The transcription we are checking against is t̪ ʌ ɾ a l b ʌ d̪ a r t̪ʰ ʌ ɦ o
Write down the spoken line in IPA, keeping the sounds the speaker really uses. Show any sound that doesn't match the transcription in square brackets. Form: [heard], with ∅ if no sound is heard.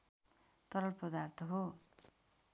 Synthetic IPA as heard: t̪ ʌ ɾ [ʌ] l [p] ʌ d̪ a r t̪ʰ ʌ ɦ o